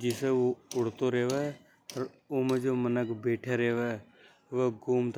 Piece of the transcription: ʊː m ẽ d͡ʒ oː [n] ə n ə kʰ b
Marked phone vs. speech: incorrect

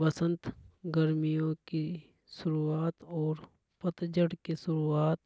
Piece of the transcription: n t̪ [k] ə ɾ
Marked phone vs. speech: incorrect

